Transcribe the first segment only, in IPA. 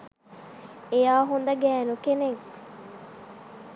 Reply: e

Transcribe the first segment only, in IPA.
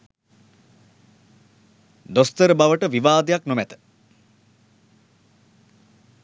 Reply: d̪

